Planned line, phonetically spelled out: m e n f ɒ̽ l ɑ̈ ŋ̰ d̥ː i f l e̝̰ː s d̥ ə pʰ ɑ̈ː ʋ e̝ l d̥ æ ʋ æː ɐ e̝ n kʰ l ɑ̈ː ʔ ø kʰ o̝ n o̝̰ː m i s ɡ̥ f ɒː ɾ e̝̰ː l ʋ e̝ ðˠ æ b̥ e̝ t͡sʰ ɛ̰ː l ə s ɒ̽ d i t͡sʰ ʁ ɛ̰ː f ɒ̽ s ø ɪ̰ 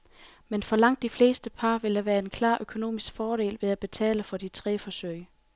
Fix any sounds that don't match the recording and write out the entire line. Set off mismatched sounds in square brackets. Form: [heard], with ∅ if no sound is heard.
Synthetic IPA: m e n f ɒ̽ l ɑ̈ ŋ̰ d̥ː i f l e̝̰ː s d̥ ə pʰ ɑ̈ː ʋ e̝ l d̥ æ ʋ æː ɐ e̝ n kʰ l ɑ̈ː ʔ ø kʰ o̝ n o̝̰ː m i s ɡ̥ f ɒː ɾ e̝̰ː l ʋ e̝ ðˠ æ b̥ e̝ t͡sʰ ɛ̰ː l ə [f] ɒ̽ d i t͡sʰ ʁ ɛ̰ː f ɒ̽ s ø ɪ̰